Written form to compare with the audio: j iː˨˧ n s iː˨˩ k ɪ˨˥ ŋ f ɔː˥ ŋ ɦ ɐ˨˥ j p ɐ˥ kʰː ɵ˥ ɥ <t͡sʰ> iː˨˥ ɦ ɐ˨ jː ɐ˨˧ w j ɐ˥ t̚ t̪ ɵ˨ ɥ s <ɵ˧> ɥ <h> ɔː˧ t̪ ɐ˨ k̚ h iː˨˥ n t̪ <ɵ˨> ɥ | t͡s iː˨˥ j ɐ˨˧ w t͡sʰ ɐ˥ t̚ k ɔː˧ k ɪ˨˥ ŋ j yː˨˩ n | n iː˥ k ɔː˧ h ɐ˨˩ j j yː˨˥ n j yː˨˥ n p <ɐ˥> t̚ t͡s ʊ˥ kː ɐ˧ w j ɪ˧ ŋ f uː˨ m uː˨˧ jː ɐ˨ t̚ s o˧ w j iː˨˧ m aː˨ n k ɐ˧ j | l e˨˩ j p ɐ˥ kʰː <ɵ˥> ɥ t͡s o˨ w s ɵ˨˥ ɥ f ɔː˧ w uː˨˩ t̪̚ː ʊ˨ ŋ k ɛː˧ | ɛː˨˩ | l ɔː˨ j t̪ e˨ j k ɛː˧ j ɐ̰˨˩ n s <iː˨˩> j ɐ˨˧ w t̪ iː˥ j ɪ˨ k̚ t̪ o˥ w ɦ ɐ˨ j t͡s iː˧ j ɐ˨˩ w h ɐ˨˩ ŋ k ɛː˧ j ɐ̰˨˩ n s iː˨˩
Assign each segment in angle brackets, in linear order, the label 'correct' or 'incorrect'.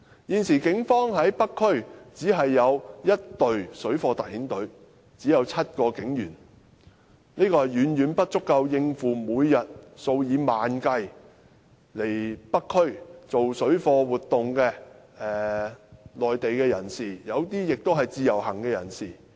incorrect, incorrect, incorrect, incorrect, correct, correct, correct

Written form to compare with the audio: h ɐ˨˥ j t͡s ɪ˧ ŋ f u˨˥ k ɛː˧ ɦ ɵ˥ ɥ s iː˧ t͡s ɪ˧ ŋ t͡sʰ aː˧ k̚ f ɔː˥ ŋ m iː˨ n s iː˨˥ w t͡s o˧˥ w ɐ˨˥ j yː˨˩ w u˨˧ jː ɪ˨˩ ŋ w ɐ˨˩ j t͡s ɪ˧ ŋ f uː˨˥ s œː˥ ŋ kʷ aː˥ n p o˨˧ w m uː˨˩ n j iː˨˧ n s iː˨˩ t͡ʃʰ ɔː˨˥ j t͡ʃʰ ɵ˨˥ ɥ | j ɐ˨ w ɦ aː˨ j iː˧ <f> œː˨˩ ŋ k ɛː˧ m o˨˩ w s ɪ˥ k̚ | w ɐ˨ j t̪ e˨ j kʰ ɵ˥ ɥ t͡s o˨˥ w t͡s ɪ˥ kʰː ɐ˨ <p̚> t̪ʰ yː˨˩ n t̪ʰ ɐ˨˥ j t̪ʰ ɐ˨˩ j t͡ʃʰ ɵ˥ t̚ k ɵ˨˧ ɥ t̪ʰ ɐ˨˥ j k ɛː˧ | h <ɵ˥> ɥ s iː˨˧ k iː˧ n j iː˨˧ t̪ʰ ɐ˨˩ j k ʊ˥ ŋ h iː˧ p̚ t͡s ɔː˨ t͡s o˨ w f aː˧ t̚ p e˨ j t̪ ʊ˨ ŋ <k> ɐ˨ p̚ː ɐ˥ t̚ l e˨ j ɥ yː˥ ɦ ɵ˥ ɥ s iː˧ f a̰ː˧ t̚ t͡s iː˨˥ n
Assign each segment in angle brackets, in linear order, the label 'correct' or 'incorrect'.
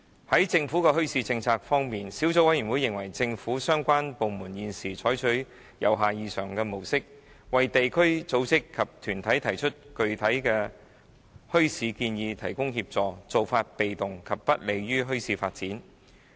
incorrect, correct, correct, incorrect

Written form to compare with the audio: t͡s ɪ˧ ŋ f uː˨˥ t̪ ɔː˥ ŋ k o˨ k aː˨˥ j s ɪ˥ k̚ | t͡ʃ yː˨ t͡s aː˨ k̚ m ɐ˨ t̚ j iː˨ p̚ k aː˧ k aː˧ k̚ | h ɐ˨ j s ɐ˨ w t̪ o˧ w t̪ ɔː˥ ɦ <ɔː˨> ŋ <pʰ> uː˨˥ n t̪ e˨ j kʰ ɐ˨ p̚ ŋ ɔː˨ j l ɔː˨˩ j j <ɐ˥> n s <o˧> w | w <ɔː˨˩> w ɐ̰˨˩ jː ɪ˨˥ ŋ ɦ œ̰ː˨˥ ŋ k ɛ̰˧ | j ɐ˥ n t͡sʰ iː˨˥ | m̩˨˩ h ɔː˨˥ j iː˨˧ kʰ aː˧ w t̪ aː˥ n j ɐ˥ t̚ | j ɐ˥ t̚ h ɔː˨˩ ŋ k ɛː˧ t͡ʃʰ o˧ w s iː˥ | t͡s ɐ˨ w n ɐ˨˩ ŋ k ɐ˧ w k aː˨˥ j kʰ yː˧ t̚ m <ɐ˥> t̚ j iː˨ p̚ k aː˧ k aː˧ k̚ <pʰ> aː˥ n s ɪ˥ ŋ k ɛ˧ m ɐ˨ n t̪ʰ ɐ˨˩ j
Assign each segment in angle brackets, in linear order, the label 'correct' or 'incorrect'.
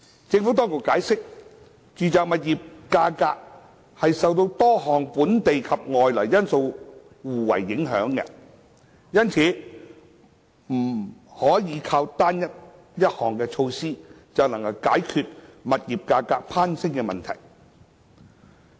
correct, incorrect, correct, correct, incorrect, incorrect, correct

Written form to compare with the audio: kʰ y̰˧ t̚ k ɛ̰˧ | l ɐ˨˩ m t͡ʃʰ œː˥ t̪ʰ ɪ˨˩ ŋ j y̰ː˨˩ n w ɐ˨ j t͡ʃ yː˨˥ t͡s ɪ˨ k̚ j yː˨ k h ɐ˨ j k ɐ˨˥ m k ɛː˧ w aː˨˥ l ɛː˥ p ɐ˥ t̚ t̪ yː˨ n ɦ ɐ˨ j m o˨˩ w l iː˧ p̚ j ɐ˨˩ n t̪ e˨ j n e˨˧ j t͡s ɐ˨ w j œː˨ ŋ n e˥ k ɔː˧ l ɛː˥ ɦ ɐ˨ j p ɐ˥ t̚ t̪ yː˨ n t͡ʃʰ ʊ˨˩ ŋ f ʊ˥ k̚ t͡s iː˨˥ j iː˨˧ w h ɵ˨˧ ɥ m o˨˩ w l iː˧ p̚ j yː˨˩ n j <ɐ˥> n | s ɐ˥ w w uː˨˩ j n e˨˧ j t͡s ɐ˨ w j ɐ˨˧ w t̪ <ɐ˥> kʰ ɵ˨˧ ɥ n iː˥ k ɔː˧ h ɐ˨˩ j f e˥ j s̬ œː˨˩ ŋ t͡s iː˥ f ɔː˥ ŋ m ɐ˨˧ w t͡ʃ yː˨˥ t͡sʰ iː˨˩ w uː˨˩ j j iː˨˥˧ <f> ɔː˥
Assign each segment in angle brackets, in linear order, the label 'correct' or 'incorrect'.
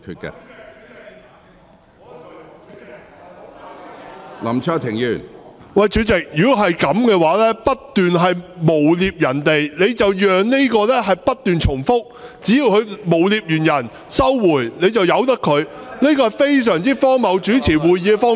incorrect, correct, correct

